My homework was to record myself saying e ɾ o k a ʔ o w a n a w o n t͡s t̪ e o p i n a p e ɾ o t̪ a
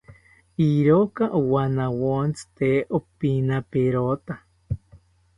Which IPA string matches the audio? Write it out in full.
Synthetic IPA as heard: i ɾ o k a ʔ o w a n a w o n t͡s t̪ e o p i n a p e ɾ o t̪ a